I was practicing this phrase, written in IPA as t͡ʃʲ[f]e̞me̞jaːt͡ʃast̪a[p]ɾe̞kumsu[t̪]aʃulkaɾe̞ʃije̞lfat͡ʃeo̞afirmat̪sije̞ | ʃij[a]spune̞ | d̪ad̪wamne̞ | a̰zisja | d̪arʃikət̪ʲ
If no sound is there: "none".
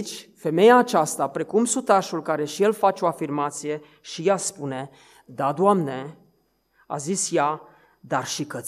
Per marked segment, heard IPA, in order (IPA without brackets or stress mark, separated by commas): f, p, t̪, a